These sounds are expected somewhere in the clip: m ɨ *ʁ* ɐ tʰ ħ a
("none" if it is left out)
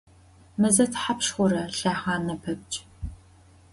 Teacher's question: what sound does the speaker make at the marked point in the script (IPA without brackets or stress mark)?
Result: z